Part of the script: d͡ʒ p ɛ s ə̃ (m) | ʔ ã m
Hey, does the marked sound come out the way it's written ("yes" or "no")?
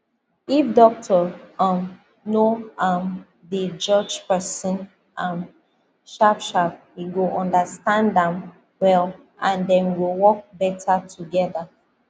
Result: no